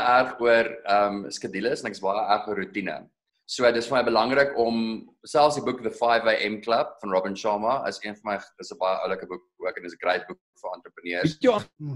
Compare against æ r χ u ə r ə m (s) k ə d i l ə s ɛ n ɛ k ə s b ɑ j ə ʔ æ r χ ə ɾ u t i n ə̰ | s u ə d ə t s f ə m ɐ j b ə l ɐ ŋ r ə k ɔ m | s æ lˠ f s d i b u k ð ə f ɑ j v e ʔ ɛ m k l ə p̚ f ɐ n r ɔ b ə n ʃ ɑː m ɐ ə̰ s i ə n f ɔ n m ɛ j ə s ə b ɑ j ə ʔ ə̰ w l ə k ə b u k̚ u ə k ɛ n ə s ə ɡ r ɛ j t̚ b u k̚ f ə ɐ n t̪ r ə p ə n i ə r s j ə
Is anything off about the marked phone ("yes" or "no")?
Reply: no